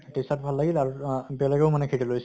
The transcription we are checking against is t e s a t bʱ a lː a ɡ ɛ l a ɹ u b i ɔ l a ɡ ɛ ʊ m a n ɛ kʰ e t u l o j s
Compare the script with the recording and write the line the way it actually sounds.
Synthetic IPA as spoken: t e s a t bʱ a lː a ɡ i l a ɹ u b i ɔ l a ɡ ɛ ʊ m a n ɛ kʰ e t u l o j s